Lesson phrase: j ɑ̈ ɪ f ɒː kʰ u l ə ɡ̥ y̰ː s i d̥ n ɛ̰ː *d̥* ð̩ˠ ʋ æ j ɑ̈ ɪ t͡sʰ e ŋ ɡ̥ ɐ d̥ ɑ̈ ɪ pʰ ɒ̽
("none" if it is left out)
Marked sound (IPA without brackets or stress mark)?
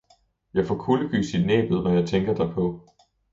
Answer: b̥